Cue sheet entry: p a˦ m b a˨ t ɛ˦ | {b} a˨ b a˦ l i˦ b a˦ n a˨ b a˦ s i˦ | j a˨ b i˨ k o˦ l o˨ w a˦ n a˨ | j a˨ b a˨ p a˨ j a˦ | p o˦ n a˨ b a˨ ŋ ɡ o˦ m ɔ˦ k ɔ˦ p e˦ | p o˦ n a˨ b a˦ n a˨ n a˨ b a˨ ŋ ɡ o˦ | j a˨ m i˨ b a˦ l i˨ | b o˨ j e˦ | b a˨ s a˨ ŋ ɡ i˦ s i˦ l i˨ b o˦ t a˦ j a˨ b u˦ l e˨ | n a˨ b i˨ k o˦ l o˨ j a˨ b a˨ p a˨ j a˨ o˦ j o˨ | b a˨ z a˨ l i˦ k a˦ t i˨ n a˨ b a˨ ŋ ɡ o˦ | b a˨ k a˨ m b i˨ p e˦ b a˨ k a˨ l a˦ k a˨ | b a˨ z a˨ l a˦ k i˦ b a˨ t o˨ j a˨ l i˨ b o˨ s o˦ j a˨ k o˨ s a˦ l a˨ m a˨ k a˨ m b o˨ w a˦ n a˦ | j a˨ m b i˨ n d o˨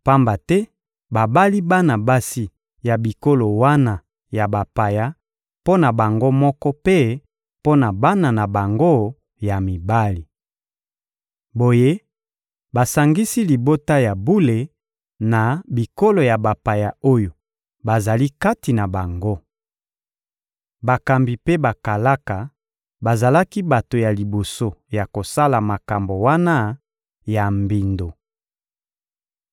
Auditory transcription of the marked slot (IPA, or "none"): b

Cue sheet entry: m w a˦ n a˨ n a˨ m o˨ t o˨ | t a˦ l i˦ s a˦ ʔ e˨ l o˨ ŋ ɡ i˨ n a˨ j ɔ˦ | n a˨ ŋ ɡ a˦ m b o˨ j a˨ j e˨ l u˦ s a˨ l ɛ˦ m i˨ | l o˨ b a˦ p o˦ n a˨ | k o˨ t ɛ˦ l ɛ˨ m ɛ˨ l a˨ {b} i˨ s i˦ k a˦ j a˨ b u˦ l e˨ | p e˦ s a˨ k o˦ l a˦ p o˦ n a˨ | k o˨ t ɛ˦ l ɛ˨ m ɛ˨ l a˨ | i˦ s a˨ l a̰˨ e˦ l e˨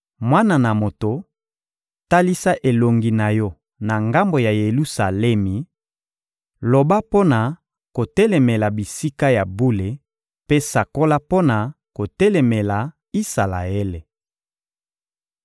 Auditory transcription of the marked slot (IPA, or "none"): b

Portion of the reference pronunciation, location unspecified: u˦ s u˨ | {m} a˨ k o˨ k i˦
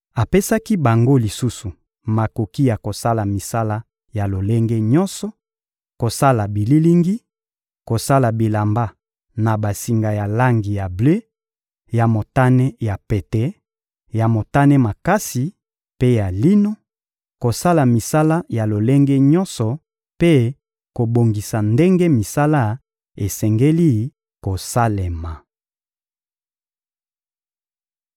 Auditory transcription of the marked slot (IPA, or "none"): m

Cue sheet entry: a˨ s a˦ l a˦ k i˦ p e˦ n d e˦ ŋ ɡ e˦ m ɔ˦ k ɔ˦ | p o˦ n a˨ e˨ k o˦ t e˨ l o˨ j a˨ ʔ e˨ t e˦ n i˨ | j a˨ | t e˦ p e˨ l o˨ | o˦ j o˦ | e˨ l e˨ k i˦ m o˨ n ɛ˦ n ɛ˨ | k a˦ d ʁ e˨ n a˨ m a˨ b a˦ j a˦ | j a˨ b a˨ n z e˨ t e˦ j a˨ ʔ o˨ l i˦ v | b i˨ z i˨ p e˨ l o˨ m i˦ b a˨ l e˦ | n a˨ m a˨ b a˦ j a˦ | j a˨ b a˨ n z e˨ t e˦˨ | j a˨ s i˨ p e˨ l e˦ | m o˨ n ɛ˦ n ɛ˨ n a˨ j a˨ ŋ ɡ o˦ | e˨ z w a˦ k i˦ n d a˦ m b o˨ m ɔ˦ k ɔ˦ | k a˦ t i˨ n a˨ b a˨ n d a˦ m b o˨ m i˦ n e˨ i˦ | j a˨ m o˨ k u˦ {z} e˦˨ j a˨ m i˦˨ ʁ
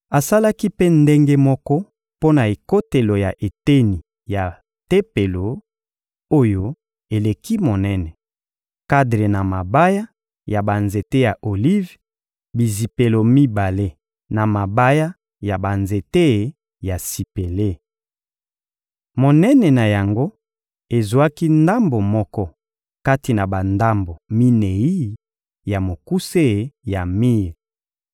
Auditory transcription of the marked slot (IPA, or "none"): s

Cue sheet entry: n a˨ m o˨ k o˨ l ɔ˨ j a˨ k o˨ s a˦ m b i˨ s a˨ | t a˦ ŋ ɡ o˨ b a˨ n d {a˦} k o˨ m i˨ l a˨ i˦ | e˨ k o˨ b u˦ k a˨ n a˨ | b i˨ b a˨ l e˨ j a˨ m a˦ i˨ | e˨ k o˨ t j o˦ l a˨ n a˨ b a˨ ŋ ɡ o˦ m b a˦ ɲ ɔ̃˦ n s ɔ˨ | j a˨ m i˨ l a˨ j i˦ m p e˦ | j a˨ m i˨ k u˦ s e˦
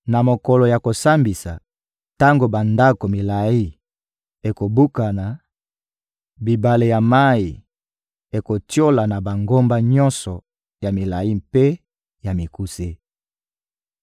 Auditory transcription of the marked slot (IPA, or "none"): a˦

